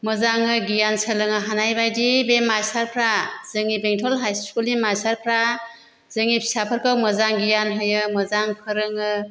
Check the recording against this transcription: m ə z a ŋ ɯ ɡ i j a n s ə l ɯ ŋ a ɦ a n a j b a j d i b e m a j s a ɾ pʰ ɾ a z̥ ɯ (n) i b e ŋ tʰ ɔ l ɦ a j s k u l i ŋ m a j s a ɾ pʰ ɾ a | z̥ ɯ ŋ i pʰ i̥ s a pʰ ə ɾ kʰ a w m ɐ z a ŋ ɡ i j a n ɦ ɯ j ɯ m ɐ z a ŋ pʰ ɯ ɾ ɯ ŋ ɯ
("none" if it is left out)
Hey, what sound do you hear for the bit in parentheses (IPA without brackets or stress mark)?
ŋ